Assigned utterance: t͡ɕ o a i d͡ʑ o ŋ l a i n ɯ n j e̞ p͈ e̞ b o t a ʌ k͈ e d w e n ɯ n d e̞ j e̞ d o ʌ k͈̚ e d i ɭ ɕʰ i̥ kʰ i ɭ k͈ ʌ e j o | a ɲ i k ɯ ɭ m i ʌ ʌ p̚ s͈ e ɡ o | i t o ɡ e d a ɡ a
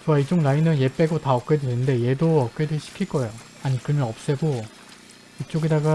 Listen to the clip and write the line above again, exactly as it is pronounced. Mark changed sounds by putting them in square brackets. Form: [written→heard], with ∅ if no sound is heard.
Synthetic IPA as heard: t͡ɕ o a i d͡ʑ o ŋ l a i n ɯ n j e̞ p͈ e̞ [b→ɡ] o t a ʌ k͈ e d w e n ɯ n d e̞ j e̞ d o ʌ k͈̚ e d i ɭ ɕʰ i̥ kʰ i ɭ k͈ ʌ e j o | a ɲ i k ɯ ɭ m [i→j] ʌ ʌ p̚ s͈ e ɡ o | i [t→t͡ɕ͈] o ɡ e d a ɡ a

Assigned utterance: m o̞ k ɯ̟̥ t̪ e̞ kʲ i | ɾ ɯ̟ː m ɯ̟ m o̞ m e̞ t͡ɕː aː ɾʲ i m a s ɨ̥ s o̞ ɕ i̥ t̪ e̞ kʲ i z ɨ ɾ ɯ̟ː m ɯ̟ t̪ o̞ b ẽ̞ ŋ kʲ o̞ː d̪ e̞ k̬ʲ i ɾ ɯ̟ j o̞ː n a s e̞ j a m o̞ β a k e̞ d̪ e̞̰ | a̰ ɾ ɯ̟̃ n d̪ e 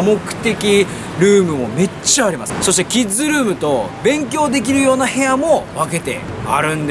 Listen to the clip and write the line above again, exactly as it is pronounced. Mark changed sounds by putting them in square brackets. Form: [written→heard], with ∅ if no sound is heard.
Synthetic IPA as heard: m o̞ k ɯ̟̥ t̪ e̞ kʲ i | ɾ ɯ̟ː m ɯ̟ m o̞ m e̞ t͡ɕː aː ɾʲ i m a s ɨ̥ s o̞ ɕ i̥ t̪ e̞ kʲ i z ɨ ɾ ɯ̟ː m ɯ̟ t̪ o̞ b ẽ̞ ŋ kʲ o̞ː d̪ e̞ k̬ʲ i ɾ ɯ̟ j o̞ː n a [s→h] e̞ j a m o̞ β a k e̞ [d̪→t̪] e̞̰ | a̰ ɾ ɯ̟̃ n d̪ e

